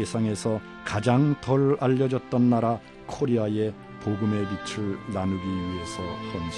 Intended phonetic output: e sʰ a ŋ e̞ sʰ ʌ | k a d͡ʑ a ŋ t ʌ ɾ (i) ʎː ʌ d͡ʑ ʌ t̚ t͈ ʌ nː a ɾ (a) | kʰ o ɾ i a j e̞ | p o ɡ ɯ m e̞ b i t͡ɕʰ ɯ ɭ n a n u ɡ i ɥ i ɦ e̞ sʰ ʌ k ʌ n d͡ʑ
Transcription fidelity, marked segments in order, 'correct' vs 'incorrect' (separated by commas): incorrect, correct